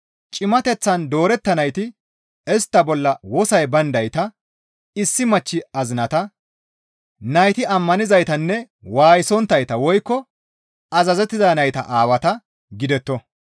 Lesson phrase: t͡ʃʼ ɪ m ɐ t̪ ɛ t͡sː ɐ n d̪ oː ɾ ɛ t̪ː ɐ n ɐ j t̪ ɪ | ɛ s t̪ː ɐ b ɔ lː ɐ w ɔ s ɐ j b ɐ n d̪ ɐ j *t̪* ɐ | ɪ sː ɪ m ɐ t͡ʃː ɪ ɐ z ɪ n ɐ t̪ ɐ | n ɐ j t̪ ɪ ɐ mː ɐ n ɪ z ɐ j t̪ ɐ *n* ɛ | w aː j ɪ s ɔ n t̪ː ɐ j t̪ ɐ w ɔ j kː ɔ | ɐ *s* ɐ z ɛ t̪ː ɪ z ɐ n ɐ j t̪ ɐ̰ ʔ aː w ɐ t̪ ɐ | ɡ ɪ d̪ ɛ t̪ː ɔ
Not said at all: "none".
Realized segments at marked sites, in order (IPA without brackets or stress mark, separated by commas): t̪, nː, z